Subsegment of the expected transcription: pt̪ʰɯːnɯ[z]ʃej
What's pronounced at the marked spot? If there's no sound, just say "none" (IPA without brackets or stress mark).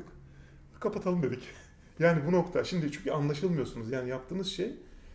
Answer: z